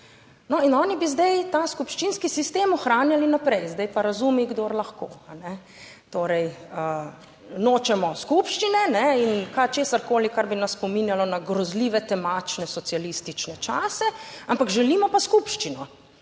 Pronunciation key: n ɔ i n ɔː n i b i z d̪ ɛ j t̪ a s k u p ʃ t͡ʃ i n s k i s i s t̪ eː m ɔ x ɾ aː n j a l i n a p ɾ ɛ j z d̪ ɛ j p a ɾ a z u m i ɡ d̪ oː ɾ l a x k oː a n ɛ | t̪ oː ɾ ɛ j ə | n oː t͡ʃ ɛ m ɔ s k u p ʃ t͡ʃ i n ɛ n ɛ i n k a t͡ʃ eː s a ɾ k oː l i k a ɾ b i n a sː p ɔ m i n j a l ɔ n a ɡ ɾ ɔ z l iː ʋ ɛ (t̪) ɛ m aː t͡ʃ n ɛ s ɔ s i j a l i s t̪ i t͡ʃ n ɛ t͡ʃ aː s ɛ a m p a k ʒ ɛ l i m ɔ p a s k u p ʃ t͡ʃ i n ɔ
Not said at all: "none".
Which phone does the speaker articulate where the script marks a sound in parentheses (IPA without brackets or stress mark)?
t̪